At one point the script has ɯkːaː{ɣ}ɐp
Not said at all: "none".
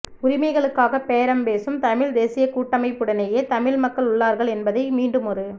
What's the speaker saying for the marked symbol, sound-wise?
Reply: ɣ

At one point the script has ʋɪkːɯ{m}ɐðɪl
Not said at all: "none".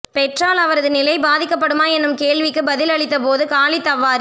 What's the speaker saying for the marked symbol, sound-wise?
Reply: b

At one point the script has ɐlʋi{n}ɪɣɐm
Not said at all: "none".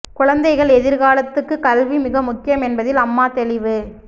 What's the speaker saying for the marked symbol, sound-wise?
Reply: m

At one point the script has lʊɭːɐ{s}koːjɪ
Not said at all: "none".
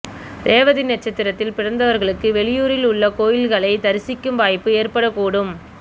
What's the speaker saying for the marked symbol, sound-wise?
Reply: none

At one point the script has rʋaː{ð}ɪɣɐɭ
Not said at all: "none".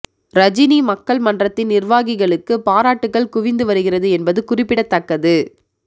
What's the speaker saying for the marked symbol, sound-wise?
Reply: ɣ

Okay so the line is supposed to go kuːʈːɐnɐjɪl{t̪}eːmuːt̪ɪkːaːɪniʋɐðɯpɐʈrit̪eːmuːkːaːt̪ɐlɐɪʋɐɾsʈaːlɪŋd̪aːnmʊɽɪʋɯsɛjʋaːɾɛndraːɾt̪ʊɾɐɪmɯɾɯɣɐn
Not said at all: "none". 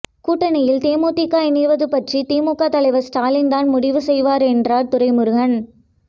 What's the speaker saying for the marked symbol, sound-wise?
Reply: t̪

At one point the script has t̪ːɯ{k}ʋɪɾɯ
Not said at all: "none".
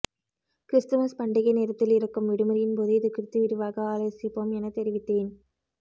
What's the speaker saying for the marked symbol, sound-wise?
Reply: none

